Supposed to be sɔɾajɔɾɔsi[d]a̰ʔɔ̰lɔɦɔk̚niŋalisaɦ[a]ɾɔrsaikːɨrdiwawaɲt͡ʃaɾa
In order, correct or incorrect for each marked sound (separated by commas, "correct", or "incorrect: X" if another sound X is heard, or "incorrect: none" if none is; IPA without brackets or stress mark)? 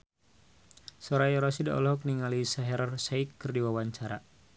correct, incorrect: ɛ